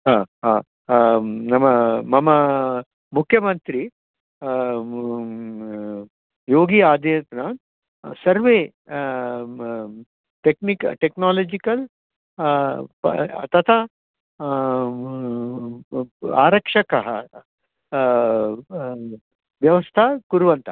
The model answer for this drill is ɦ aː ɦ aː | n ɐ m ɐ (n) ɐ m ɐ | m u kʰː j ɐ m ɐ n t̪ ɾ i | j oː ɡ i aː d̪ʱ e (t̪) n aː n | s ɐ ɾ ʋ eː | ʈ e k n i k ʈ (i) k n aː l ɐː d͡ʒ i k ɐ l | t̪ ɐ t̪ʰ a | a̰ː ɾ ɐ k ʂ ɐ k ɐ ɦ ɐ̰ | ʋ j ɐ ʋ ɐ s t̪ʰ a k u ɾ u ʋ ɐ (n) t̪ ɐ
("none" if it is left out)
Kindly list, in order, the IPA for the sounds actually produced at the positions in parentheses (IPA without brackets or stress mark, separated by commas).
m, t̪, e, n